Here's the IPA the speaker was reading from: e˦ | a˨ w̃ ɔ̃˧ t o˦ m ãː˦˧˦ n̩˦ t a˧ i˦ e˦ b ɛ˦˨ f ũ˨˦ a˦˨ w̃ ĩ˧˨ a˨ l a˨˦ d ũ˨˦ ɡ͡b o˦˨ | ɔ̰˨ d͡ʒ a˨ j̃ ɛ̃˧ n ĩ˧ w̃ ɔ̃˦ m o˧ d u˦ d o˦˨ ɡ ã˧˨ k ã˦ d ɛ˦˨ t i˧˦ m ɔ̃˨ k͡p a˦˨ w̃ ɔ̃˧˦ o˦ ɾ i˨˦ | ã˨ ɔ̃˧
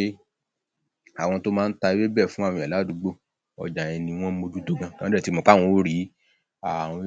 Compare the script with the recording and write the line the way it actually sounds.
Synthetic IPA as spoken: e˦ | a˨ w̃ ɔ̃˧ t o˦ m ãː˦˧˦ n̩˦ t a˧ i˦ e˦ b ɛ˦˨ f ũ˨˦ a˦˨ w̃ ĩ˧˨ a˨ l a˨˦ d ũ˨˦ ɡ͡b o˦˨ | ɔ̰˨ d͡ʒ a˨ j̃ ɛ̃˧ n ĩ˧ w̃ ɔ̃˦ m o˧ d͡ʒ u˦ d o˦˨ ɡ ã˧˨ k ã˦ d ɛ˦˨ t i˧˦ m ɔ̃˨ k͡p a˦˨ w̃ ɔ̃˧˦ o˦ ɾ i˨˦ | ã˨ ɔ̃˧

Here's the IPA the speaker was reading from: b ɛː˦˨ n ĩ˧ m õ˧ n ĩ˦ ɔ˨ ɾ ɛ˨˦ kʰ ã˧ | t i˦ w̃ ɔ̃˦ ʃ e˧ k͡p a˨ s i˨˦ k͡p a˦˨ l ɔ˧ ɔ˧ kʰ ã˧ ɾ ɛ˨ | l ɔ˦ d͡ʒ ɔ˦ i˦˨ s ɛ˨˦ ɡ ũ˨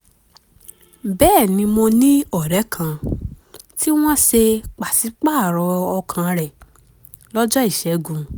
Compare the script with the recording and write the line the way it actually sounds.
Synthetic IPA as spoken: b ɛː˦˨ n ĩ˧ m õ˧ n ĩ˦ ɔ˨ ɾ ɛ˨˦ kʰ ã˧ | t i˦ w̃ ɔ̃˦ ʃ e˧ k͡p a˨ s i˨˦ k͡p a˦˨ ɾ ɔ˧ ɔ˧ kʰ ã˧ ɾ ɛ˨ | l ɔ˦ d͡ʒ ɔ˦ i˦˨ ʃ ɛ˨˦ ɡ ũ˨

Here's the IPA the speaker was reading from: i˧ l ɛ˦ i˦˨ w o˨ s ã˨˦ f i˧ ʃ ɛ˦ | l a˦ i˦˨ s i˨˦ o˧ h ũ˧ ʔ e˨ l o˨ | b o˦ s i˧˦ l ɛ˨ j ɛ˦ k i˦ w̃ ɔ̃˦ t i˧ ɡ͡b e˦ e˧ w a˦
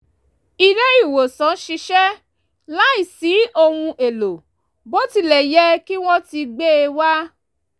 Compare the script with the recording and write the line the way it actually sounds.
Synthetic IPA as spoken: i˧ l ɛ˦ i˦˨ w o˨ s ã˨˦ ʃ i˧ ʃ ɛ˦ | l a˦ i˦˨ s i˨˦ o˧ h ũ˧ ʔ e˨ l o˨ | b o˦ t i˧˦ l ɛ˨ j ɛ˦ k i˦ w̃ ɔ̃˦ t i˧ ɡ͡b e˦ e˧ w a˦

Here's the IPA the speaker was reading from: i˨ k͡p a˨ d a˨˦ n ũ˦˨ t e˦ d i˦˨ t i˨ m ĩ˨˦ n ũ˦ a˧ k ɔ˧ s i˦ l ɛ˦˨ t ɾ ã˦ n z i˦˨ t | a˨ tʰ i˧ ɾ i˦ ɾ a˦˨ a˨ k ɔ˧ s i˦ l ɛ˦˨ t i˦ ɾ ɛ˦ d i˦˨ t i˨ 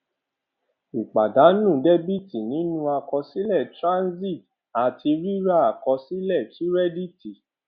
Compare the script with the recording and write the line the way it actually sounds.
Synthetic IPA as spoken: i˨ k͡p a˨ d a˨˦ n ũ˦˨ d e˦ b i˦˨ t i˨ n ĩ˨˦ n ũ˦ a˧ k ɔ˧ s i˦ l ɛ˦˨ t ɾ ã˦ n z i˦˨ t | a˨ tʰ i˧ ɾ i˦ ɾ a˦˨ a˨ k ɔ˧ s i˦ l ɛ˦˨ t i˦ ɾ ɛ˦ d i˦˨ t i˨

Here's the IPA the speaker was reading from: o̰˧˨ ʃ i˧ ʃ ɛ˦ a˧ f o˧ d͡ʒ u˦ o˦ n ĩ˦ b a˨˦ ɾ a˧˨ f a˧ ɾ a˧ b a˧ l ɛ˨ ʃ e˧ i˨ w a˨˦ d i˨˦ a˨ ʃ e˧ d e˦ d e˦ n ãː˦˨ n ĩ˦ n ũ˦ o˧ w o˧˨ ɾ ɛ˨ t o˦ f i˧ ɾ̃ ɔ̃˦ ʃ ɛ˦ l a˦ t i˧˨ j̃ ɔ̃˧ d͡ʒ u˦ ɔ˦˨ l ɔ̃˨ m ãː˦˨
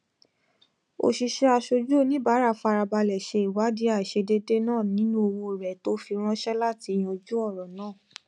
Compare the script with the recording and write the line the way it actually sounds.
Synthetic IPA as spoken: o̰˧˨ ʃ i˧ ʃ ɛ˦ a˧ ʃ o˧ d͡ʒ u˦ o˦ n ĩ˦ b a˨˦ ɾ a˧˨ f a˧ ɾ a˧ b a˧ l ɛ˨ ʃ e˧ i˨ w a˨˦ d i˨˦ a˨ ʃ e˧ d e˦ d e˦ n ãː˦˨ n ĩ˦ n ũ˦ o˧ w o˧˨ ɾ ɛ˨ t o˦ f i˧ ɾ̃ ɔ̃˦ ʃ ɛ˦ l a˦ t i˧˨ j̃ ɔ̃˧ d͡ʒ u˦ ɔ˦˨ ɾ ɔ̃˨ n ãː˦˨

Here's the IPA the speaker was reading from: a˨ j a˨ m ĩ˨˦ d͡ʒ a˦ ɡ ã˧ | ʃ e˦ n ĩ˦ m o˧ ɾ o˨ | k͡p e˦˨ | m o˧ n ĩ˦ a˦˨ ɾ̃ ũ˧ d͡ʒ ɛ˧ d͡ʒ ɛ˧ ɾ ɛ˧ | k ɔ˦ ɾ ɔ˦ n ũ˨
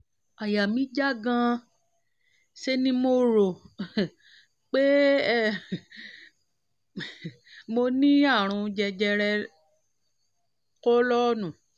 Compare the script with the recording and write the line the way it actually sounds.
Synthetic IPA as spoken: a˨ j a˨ m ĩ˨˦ d͡ʒ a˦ ɡ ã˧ | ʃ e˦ n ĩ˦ m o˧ ɾ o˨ | k͡p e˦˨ | m o˧ n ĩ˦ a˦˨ ɾ̃ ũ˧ d͡ʒ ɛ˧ d͡ʒ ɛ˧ ɾ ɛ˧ | k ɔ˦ l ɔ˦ n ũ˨

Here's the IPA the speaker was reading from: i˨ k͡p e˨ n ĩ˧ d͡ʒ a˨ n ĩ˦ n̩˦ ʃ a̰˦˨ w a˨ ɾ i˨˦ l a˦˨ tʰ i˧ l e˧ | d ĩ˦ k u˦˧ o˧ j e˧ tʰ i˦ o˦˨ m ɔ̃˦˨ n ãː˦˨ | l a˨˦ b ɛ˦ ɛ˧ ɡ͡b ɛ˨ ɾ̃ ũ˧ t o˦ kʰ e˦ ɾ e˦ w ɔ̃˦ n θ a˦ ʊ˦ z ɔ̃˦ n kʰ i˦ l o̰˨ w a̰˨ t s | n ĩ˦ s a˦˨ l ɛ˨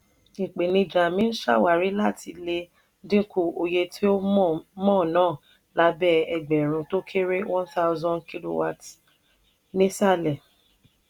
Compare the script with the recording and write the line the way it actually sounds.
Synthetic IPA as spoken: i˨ k͡p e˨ n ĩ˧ d͡ʒ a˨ m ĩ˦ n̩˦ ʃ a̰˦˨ w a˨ ɾ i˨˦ l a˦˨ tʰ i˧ l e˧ | d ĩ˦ k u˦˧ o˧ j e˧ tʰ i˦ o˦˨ m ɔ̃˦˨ n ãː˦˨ | l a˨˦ b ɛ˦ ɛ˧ ɡ͡b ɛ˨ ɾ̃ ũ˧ t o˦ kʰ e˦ ɾ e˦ w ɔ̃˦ n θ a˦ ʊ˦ z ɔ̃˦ n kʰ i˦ l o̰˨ w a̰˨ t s | n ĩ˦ s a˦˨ l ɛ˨

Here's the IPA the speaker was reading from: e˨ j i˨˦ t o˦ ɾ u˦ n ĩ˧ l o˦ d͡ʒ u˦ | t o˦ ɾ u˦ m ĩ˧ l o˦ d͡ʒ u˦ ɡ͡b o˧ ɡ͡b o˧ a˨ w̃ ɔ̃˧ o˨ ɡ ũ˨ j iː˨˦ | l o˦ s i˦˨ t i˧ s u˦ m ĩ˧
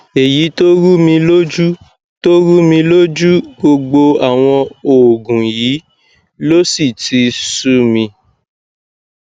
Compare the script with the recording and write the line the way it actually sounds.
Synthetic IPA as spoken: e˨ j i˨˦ t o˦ ɾ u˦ m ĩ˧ l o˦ d͡ʒ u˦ | t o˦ ɾ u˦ m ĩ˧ l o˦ d͡ʒ u˦ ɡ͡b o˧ ɡ͡b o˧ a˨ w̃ ɔ̃˧ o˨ ɡ ũ˨ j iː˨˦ | l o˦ s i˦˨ t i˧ s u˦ m ĩ˧

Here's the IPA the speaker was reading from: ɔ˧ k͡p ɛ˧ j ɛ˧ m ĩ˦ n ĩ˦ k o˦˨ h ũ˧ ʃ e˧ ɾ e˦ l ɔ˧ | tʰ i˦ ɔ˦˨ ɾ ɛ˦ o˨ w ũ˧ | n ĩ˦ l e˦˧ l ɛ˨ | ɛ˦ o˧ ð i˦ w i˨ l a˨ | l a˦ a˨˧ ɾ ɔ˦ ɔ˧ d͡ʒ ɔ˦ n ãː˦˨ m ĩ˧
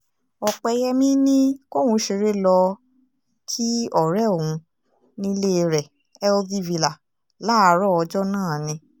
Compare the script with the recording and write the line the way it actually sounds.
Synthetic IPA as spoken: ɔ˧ k͡p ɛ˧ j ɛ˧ m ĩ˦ n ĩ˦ k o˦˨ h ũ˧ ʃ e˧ ɾ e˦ l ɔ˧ | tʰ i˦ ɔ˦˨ ɾ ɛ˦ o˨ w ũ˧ | n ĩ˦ l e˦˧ ɾ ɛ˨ | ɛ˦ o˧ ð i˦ v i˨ l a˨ | l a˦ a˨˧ ɾ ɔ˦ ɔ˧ d͡ʒ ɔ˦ n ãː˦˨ n ĩ˧

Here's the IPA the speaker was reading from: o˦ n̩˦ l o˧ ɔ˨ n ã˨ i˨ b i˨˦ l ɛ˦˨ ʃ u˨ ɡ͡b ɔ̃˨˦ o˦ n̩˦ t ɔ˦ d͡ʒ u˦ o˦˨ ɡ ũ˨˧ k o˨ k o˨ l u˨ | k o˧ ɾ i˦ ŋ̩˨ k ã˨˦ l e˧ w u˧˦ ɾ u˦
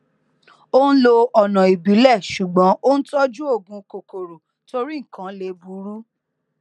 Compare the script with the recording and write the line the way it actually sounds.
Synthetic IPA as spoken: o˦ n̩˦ l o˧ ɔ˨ n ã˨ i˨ b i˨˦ l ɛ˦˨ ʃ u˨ ɡ͡b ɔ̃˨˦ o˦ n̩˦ t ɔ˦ d͡ʒ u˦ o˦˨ ɡ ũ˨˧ k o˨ k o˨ ɾ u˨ | t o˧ ɾ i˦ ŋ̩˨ k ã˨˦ l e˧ b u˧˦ ɾ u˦

